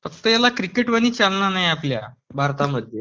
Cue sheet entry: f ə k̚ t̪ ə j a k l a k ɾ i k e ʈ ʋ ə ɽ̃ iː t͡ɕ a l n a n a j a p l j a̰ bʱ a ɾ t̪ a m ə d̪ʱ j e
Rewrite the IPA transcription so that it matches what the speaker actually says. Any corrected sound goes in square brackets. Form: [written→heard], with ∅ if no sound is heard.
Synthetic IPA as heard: f ə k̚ t̪ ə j a [k→∅] l a k ɾ i k e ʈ ʋ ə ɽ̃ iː t͡ɕ a l n a n a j a p l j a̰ bʱ a ɾ t̪ a m ə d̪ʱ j e